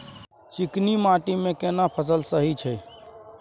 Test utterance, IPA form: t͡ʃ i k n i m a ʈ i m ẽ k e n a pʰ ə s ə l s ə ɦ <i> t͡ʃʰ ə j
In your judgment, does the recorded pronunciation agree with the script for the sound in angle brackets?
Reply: yes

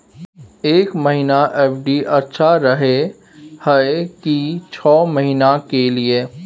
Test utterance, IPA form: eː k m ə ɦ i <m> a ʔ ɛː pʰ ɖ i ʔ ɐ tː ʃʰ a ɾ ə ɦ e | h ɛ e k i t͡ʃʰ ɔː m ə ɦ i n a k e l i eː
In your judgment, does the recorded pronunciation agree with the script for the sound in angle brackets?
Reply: no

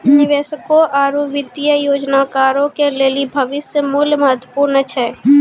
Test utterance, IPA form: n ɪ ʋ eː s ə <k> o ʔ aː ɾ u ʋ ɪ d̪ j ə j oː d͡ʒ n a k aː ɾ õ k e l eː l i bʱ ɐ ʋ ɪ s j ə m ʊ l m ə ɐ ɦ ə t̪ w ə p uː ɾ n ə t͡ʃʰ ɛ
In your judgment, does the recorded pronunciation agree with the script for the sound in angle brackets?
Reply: yes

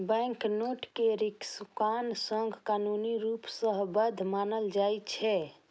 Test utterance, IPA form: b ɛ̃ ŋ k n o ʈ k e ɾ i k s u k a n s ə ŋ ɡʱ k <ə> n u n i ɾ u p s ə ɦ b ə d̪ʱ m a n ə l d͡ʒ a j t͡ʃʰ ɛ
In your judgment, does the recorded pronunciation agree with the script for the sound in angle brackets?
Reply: no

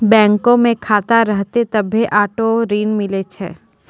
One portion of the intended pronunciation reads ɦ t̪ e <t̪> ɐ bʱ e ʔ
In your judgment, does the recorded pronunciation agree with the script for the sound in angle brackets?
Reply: yes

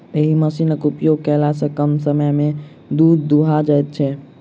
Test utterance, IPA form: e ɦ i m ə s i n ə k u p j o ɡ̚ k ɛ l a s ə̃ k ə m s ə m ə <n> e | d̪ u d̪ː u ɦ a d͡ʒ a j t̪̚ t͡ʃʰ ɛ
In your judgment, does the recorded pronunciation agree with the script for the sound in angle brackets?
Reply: no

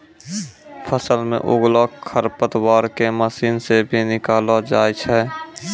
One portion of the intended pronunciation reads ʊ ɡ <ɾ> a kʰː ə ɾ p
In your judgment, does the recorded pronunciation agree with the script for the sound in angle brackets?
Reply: no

